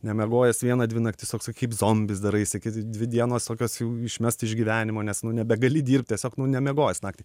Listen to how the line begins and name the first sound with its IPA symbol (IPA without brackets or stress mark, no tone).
nʲ